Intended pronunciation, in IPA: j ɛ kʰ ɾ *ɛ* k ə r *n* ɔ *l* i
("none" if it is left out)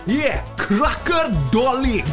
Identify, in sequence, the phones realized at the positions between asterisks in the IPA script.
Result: a, d, l

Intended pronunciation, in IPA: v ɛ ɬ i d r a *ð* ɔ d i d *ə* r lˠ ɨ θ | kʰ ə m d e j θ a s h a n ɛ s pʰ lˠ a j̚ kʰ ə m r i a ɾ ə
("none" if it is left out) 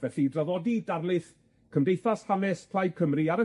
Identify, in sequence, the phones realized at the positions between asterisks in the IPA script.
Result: ð, a

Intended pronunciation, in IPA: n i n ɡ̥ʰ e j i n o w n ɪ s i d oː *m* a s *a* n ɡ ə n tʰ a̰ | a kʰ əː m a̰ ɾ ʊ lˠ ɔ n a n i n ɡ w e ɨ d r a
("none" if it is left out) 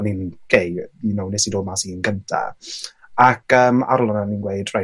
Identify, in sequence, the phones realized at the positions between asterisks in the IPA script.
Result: m, i

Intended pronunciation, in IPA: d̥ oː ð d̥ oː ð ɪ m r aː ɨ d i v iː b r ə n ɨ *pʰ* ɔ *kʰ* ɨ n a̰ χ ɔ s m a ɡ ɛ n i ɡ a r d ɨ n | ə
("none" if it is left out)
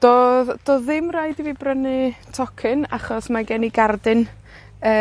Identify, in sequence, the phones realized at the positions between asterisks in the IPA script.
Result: tʰ, kʰ

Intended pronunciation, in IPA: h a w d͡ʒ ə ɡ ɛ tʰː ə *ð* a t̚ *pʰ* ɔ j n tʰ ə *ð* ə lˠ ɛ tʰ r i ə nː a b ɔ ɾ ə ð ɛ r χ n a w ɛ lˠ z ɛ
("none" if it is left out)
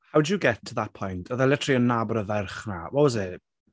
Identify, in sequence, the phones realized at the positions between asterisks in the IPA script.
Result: ð, pʰ, ð

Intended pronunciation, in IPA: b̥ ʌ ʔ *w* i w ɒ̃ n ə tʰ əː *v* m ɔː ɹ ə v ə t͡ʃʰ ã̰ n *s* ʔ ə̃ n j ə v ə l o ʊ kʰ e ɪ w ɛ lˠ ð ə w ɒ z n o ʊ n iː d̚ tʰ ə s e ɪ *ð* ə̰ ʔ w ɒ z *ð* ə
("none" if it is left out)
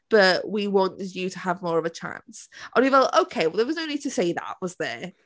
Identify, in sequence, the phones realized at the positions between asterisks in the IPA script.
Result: w, v, s, ð, ð

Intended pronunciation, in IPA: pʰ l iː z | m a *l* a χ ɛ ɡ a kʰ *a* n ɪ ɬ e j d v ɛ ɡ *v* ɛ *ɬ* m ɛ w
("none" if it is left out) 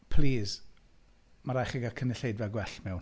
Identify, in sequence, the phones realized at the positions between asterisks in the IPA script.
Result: ɾ, ə, w, ɬ

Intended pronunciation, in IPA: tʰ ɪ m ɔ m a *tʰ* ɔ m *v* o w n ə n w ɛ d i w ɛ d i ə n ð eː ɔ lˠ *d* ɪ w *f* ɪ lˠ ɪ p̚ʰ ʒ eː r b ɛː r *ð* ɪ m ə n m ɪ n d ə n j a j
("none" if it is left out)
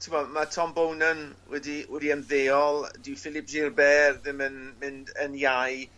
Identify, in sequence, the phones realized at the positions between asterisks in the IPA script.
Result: tʰ, b, d, f, ð

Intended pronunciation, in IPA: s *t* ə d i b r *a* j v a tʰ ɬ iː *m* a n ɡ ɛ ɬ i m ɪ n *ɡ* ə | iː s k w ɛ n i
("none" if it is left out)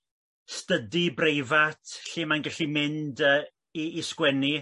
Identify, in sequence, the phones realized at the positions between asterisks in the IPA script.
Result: t, e, m, d

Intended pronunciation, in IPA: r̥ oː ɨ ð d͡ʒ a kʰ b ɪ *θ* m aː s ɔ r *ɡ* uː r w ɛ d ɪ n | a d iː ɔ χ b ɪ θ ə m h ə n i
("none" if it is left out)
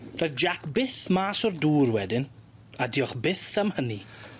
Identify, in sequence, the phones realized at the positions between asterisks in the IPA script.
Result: θ, d

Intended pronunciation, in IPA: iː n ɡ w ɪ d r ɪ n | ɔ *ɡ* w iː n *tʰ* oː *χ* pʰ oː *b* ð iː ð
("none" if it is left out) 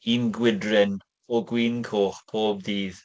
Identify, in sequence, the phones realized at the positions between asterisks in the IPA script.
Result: ɡ, kʰ, χ, b

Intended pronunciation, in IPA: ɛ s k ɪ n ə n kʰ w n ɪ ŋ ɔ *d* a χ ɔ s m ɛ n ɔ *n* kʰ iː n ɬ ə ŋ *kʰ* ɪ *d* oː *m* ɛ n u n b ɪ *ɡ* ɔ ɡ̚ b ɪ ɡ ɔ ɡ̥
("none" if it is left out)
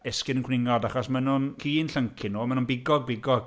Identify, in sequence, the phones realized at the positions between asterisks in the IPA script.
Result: d, n, kʰ, n, m, ɡ

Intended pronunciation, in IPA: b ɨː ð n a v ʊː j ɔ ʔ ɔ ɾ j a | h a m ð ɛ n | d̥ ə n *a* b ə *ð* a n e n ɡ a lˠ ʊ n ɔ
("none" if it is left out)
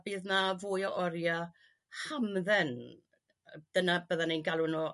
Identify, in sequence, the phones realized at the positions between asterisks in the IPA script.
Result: a, ð

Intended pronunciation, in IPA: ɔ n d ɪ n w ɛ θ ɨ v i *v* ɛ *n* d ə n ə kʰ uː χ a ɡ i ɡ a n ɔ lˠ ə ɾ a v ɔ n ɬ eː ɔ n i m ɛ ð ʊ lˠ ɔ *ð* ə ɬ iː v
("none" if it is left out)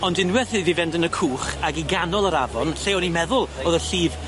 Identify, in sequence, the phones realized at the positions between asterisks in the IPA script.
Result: v, n, ð

